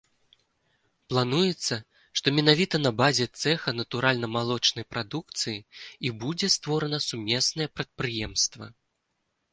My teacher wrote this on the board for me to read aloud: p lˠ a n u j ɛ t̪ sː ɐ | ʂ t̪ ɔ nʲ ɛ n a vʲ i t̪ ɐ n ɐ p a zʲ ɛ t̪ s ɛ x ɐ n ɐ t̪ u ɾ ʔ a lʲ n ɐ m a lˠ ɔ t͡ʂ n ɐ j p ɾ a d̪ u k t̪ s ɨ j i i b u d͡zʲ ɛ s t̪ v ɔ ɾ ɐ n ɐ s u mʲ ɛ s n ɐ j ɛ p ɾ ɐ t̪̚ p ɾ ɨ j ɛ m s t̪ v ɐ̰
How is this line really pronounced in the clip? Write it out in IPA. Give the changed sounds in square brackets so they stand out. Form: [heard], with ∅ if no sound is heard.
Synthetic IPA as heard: p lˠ a n u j ɛ t̪ sː ɐ | ʂ t̪ ɔ [mʲ] ɛ n a vʲ i t̪ ɐ n ɐ [b] a zʲ ɛ t̪ s ɛ x ɐ n ɐ t̪ u ɾ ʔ a lʲ n ɐ m a lˠ ɔ t͡ʂ n ɐ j p ɾ a d̪ u k t̪ s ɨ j i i b u d͡zʲ ɛ s t̪ v ɔ ɾ ɐ n ɐ s u mʲ ɛ s n ɐ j ɛ p ɾ ɐ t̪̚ p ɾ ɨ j ɛ m s t̪ v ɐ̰